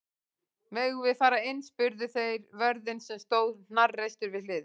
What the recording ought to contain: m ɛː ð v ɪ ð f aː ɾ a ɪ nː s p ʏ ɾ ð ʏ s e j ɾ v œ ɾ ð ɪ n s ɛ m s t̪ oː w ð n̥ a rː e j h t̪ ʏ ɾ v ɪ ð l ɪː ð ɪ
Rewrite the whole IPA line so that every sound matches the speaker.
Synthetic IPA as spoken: m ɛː ɣ v ɪ ð f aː ɾ a ɪ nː s p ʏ ɾ ð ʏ θ e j ɾ v œ ɾ ð ɪ n s ɛ m s t̪ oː w ð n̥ a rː e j s t̪ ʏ ɾ v ɪ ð l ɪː ð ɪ